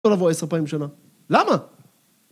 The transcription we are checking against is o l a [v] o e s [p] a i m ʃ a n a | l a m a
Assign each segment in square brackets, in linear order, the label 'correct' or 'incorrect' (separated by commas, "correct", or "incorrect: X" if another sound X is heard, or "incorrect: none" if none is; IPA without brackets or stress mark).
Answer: correct, correct